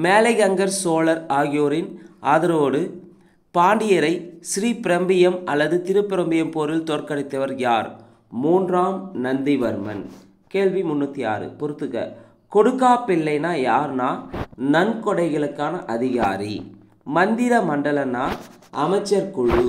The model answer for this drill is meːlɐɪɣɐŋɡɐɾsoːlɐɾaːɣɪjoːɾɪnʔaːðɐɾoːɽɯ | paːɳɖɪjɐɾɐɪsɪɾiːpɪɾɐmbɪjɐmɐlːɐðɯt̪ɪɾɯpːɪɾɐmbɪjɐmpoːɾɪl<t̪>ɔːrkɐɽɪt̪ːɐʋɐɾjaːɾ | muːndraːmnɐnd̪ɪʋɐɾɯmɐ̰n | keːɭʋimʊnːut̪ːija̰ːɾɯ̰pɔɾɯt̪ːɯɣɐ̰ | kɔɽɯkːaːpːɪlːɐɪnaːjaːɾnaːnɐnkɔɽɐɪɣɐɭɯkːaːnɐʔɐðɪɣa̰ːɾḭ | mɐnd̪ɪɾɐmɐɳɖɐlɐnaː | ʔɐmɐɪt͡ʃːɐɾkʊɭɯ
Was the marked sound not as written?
no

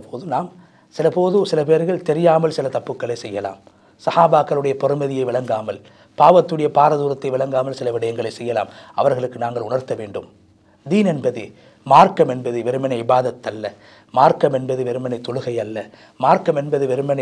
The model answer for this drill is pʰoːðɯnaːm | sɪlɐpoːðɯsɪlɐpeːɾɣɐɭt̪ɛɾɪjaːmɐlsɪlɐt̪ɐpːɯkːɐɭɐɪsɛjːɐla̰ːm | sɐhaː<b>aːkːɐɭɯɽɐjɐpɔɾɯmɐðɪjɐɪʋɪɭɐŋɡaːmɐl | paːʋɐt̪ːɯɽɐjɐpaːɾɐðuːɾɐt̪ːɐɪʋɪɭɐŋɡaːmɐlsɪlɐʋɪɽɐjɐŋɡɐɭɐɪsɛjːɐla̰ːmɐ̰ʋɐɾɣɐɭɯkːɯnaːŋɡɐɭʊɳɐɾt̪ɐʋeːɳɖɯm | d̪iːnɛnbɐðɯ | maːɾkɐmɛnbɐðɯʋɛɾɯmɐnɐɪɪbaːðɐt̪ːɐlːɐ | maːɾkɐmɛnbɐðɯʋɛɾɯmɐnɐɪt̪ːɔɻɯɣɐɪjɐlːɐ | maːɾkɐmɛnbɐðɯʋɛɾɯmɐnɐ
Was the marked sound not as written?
no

